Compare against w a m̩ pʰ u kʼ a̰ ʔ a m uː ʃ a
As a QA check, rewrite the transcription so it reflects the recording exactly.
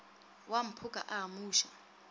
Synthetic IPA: w a m̩ pʰ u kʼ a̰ ʔ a m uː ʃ a